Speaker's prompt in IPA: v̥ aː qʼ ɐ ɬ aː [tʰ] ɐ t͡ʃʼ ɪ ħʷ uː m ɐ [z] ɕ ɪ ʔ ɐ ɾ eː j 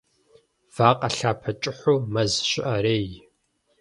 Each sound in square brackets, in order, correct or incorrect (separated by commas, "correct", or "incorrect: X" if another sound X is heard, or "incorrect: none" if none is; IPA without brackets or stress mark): incorrect: pʰ, correct